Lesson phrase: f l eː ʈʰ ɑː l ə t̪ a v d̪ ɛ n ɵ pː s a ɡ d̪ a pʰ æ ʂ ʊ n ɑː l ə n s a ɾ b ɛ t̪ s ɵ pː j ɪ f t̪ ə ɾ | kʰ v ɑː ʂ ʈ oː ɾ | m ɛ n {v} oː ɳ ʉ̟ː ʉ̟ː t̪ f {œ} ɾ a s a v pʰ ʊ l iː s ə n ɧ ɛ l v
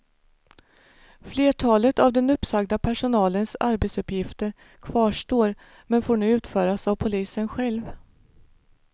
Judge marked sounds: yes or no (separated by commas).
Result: no, no